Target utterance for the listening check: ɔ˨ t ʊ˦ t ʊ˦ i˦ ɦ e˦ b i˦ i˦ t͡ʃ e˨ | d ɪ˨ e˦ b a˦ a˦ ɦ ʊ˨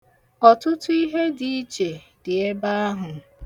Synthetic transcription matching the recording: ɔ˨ t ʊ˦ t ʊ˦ i˦ ɦ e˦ d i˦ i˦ t͡ʃ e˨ | d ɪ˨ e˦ b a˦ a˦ ɦ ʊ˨